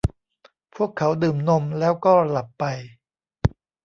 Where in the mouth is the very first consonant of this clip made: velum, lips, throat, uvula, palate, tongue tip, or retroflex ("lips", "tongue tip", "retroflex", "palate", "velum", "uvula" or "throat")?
lips